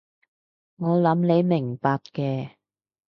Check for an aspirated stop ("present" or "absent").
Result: absent